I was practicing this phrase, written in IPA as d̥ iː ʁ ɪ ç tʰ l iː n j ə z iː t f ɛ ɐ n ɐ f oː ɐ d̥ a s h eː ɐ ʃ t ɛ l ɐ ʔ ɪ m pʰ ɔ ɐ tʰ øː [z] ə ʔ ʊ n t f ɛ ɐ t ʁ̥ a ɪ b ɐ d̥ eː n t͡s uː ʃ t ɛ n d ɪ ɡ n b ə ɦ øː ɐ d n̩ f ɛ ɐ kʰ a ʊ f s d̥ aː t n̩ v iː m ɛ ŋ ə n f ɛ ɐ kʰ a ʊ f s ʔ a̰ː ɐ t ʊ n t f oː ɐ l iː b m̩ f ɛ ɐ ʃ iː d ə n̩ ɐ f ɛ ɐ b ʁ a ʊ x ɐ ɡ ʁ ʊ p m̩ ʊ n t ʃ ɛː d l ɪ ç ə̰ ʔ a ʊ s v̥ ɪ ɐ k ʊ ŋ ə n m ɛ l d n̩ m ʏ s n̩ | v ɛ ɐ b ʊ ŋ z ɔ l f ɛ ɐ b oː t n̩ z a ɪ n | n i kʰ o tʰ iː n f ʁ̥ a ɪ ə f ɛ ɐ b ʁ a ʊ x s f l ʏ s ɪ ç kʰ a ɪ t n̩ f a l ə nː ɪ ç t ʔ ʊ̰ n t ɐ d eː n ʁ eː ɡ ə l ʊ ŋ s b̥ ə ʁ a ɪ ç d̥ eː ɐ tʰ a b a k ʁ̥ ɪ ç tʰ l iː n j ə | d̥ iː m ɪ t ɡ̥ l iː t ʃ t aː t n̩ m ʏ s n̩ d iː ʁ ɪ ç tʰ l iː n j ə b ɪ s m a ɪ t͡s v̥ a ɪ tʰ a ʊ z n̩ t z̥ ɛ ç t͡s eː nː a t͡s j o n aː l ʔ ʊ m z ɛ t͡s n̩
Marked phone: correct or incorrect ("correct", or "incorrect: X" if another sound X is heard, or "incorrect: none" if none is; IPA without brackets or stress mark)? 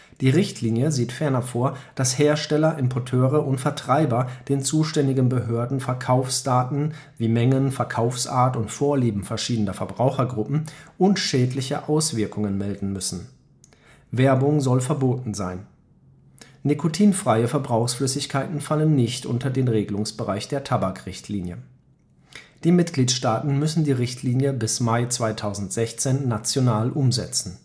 incorrect: ʁ